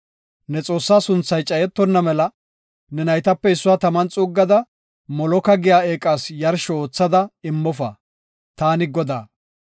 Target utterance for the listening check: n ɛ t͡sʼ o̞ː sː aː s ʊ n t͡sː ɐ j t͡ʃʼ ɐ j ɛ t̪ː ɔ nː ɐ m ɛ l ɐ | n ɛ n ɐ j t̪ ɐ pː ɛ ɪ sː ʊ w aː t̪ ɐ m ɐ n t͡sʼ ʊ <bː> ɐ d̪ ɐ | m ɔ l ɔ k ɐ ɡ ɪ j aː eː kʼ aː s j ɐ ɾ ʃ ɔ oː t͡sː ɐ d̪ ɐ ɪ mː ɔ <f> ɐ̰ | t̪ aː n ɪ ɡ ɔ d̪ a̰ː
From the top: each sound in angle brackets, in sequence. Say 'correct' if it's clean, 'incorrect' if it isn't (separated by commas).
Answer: incorrect, correct